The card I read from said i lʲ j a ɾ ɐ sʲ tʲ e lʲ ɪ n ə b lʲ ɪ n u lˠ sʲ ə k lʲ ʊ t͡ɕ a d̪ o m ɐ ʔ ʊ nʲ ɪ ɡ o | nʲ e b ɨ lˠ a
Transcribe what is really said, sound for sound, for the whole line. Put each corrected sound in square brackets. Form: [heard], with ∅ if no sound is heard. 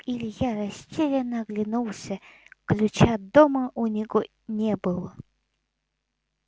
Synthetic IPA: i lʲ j a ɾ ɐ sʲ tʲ e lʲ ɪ n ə [ɡ] lʲ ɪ n u lˠ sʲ ə k lʲ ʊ t͡ɕ a d̪ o m [ə] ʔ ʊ nʲ ɪ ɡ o | nʲ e b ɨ lˠ [ə]